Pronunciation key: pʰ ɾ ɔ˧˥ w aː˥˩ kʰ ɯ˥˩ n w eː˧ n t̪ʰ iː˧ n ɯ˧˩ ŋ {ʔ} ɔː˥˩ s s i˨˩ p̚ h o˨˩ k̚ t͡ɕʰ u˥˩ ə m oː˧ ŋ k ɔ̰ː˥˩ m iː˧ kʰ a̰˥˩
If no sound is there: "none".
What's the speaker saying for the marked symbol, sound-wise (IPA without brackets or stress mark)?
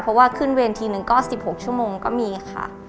k